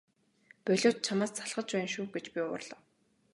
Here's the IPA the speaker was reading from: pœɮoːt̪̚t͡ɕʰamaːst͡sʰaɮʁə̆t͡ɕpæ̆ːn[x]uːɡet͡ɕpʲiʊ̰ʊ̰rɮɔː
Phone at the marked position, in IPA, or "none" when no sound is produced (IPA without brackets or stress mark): ʃ